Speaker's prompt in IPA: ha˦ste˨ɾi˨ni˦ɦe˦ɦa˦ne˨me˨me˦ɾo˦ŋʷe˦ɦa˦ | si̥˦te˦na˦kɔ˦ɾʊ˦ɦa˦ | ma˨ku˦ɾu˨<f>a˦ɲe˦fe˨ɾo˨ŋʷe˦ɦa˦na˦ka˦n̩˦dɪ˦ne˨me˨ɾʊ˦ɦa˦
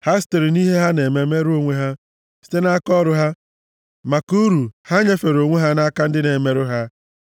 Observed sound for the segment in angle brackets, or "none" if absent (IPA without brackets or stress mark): h